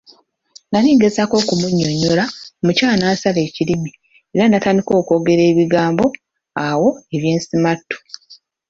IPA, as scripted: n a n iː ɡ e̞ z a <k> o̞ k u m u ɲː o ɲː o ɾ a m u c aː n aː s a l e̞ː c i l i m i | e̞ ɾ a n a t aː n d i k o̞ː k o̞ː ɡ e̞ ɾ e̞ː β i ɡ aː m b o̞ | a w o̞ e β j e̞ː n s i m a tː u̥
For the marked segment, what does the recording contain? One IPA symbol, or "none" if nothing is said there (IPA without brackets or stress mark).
k